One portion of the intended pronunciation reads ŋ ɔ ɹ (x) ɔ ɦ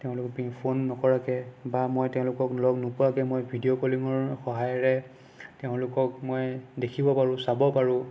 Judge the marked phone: correct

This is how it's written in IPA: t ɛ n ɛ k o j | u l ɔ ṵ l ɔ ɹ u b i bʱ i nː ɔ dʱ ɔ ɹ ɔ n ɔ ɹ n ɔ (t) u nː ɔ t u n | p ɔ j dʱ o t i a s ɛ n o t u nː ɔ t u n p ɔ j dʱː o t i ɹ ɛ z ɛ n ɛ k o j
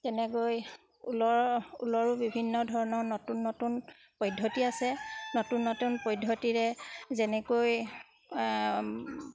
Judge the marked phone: correct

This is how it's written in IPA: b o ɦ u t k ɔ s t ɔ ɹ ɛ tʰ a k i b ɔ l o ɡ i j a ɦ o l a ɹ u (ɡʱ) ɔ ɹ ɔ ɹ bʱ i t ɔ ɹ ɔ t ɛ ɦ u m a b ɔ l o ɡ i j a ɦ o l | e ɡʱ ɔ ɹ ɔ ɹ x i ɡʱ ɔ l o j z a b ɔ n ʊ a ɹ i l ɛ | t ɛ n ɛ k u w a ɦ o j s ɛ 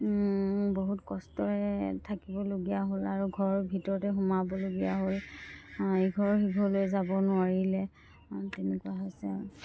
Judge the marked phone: correct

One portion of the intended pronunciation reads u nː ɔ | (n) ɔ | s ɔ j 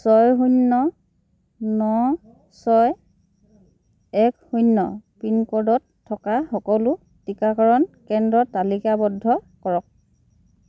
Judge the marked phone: correct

